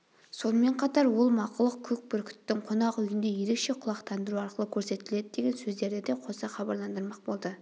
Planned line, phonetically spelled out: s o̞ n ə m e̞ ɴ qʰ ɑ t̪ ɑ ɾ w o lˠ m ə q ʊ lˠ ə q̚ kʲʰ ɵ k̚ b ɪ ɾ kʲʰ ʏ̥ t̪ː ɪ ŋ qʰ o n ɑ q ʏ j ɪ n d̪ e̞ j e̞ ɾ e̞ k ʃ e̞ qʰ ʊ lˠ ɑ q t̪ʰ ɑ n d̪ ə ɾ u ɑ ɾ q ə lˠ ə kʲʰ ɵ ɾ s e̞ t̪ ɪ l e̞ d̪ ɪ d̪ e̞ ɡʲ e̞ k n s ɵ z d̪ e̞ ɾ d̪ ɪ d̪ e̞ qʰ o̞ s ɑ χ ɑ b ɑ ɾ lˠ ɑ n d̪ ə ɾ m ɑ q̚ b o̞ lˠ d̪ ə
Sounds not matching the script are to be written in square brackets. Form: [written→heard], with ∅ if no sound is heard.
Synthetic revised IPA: s o̞ n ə m e̞ ɴ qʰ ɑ t̪ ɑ ɾ w o lˠ m [ə→ɑ] q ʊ lˠ ə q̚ kʲʰ ɵ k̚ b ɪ ɾ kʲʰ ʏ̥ t̪ː ɪ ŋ qʰ o n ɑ q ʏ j ɪ n d̪ e̞ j e̞ ɾ e̞ k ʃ e̞ qʰ ʊ lˠ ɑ q t̪ʰ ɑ n d̪ ə ɾ u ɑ ɾ q ə lˠ ə kʲʰ ɵ ɾ s e̞ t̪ ɪ l e̞ d̪ ɪ d̪ e̞ ɡʲ e̞ [k→∅] n s ɵ z d̪ e̞ ɾ d̪ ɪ d̪ e̞ qʰ o̞ s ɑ χ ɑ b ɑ ɾ lˠ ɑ n d̪ ə ɾ m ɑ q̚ b o̞ lˠ d̪ ə